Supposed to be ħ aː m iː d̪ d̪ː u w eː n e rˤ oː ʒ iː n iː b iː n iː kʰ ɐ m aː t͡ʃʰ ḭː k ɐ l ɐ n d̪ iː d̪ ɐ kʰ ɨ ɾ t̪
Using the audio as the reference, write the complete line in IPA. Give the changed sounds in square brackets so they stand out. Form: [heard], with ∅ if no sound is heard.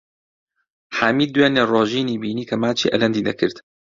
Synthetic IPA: ħ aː m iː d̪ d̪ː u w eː n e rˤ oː ʒ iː n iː b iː n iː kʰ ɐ m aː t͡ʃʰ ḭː [ʔ] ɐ l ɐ n d̪ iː d̪ ɐ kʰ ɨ ɾ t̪